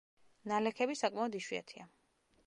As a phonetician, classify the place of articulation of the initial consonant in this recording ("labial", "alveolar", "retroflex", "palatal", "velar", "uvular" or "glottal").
alveolar